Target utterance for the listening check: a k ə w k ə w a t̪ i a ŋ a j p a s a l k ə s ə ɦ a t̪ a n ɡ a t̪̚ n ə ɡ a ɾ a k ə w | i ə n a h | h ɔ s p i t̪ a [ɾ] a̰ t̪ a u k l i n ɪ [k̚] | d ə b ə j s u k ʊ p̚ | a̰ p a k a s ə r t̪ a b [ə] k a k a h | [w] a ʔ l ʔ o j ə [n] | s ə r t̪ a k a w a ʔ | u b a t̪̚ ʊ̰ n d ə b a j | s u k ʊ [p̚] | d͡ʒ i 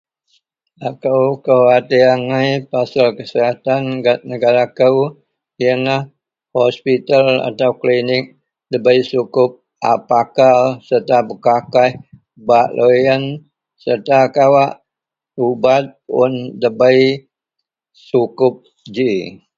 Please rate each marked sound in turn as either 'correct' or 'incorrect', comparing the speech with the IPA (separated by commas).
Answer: incorrect, correct, correct, incorrect, correct, correct